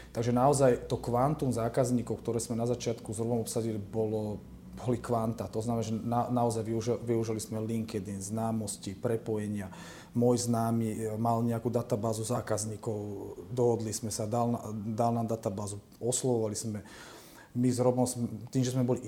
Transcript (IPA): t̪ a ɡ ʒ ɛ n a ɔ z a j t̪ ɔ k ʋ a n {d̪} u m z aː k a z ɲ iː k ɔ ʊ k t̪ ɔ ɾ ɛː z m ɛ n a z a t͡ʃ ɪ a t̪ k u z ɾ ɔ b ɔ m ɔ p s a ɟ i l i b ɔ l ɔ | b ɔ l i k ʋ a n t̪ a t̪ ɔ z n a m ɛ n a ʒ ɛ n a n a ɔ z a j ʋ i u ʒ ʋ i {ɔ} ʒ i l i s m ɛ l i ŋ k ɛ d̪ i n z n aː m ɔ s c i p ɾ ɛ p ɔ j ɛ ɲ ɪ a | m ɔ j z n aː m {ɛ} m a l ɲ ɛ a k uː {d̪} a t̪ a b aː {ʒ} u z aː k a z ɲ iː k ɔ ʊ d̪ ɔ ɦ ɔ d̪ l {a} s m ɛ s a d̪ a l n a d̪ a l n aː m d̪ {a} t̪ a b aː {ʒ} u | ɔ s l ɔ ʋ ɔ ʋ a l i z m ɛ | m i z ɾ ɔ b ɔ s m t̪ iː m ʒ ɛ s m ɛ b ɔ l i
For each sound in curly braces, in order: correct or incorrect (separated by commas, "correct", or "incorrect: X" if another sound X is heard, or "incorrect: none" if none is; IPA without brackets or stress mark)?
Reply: incorrect: t̪, incorrect: u, incorrect: i, correct, incorrect: z, incorrect: i, correct, incorrect: z